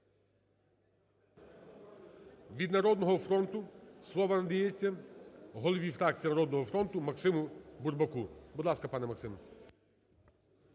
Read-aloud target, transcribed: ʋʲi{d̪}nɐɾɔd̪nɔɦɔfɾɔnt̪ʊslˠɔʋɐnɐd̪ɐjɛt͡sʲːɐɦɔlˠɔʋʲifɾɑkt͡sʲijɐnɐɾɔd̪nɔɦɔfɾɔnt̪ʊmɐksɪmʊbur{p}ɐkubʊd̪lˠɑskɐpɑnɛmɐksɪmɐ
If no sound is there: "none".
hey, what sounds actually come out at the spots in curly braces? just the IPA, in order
d̪, b

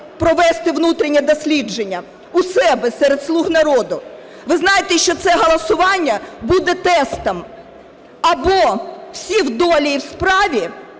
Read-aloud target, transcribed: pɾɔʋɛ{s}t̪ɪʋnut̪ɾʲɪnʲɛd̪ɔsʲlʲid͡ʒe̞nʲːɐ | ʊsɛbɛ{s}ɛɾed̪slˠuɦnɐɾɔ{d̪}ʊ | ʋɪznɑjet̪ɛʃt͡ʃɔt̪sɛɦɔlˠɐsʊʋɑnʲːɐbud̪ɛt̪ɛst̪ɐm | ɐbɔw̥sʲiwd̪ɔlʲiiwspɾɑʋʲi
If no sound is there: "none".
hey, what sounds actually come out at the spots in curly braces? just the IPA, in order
s, s, d̪

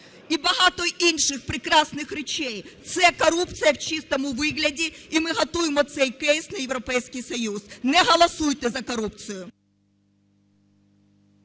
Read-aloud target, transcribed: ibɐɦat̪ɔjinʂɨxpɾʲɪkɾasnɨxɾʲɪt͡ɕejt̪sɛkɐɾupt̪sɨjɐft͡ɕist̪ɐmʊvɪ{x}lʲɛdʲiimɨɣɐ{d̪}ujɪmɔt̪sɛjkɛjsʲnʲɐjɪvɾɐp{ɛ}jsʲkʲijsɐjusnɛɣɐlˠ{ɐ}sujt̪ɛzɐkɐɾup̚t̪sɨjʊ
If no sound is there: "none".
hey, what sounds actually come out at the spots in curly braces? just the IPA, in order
ɣ, t̪, ɛ, ɐ

